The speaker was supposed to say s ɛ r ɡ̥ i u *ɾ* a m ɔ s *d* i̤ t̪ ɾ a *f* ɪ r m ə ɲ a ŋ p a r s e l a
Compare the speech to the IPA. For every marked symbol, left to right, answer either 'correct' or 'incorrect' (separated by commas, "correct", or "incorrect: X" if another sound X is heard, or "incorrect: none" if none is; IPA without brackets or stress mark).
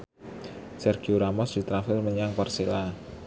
correct, correct, correct